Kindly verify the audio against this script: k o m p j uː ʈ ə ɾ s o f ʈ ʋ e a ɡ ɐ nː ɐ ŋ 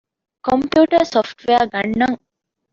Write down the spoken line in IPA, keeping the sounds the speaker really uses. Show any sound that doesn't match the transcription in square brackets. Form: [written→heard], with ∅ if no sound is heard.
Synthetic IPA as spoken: k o m p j uː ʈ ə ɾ s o f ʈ ʋ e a ɡ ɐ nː ɐ ŋ

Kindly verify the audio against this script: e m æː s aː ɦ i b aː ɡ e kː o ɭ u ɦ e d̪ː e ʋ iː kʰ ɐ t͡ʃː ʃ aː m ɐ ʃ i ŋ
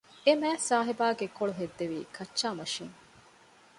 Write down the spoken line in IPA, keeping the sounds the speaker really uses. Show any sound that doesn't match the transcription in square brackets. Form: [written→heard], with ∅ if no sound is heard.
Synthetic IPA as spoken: e m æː s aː ɦ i b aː ɡ e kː o ɭ u ɦ e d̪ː e ʋ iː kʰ ɐ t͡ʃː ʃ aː m ɐ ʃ i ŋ

